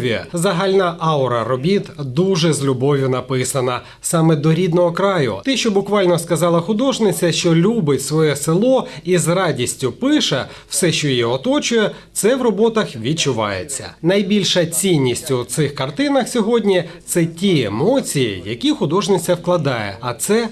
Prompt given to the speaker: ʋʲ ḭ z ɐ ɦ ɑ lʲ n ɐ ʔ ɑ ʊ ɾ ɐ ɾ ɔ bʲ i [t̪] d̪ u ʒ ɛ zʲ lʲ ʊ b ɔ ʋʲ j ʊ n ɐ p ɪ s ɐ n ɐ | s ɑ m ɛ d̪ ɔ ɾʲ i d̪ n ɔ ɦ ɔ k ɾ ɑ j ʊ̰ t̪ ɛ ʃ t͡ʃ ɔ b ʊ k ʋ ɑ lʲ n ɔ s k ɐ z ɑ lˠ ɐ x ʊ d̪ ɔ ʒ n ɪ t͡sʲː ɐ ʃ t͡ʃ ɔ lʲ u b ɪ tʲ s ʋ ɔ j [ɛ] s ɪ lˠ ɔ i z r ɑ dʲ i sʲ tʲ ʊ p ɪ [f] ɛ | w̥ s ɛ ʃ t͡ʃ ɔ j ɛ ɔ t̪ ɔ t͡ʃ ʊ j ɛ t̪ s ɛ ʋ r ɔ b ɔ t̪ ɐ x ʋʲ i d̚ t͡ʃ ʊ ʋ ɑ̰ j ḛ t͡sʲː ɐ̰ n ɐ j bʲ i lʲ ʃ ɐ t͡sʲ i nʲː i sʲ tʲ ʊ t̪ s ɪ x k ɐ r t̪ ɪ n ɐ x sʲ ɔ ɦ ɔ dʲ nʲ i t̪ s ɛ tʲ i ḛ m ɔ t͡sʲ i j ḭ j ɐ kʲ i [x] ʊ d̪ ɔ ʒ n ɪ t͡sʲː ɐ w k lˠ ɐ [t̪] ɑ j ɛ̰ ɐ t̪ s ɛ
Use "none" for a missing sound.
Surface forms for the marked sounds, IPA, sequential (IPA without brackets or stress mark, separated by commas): t̪, ɛ, ʃ, x, d̪